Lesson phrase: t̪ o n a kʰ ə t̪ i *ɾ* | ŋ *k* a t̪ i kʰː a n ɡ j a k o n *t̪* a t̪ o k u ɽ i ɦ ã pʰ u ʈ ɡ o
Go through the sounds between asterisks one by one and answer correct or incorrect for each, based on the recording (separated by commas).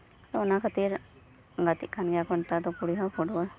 correct, incorrect, correct